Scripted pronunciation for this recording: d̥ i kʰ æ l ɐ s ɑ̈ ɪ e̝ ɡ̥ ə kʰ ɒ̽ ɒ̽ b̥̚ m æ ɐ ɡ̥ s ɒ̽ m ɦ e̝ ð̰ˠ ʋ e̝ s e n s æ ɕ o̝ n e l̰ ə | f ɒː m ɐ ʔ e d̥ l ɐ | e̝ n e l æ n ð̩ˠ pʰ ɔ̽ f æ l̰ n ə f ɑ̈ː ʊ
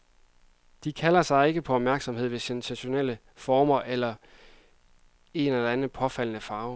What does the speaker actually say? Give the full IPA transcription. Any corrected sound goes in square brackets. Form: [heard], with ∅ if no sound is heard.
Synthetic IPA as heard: d̥ i kʰ æ l ɐ s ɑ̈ ɪ e̝ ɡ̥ ə [pʰ] ɒ̽ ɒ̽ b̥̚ m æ ɐ ɡ̥ s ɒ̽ m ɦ e̝ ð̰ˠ ʋ e̝ s e n s æ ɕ o̝ n e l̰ ə | f ɒː m ɐ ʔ e [∅] l ɐ | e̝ n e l æ n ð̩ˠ pʰ [ɒ̽] f æ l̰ n ə f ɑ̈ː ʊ